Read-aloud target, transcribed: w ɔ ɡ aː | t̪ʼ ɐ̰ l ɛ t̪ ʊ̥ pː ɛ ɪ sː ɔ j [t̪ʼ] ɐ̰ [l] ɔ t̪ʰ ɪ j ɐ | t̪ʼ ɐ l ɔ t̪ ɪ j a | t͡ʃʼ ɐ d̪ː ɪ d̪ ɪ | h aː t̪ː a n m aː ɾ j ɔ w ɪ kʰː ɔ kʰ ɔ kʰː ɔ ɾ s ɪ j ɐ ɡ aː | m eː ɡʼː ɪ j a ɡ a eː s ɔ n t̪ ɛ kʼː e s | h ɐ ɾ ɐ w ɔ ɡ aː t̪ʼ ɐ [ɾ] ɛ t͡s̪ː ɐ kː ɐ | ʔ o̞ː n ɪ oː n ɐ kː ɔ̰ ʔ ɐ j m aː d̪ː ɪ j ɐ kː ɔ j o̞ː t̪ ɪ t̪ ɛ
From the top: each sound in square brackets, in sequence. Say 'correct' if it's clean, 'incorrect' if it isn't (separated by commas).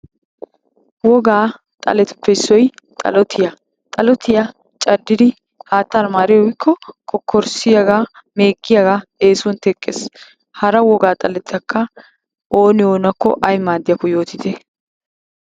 correct, correct, incorrect